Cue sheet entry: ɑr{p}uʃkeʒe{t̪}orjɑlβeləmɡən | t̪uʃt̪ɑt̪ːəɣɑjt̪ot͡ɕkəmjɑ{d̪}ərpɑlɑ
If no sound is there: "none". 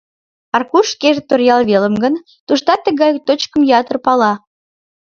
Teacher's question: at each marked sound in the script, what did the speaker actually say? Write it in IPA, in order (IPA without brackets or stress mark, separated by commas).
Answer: k, t̪, t̪